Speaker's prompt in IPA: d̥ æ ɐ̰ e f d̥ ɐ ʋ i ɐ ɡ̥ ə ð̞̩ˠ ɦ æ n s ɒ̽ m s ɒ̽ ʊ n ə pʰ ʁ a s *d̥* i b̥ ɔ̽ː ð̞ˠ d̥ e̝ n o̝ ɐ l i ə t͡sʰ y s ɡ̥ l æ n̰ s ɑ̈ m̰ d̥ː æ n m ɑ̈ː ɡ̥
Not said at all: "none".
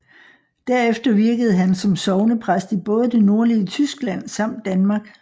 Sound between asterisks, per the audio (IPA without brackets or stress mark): d̥